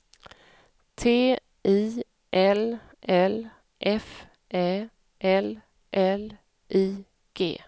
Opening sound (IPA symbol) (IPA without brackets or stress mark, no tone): t̪ʰ